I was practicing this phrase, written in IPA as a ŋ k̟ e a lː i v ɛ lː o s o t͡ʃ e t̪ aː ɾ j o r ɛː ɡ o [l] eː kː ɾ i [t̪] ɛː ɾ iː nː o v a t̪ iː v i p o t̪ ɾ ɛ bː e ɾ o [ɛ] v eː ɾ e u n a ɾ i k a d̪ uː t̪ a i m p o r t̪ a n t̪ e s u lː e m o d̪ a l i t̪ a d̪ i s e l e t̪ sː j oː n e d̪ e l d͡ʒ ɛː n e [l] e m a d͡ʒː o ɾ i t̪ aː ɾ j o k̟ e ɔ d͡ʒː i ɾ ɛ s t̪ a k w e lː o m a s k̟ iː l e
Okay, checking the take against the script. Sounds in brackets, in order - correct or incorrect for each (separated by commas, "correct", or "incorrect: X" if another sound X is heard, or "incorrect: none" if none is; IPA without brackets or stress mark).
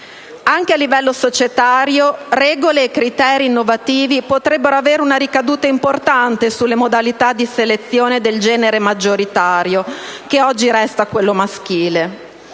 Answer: correct, correct, incorrect: a, incorrect: ɾ